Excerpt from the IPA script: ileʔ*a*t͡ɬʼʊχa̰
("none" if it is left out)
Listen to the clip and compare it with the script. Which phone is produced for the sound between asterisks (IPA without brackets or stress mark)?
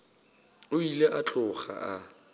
a